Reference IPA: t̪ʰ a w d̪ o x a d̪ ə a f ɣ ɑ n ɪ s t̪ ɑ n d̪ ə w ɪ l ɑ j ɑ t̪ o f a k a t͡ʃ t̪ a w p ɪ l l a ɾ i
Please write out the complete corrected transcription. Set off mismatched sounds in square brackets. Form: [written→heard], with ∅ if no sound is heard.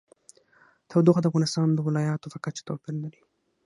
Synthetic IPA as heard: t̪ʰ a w d̪ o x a d̪ ə a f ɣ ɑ n ɪ s t̪ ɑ n d̪ ə w ɪ l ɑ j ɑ t̪ o f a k a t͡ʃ t̪ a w p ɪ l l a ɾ i